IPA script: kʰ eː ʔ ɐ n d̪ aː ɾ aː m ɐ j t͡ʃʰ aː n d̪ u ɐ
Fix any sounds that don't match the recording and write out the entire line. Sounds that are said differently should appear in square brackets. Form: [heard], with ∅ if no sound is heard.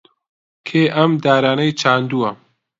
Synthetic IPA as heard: kʰ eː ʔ ɐ [m] d̪ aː ɾ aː [n] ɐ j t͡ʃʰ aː n d̪ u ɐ